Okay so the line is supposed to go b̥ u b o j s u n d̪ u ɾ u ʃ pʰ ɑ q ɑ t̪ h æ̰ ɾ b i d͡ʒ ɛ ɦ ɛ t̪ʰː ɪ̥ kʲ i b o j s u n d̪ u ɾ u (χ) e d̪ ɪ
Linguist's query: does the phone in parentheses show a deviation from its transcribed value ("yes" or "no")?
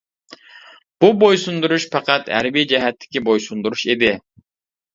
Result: yes